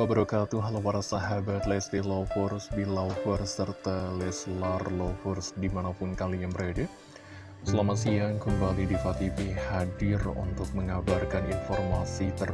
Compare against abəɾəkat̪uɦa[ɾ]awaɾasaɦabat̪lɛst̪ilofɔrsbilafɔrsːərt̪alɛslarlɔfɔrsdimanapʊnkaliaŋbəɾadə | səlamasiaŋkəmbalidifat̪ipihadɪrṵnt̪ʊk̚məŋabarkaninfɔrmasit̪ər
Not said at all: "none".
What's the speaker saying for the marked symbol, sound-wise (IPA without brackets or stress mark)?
l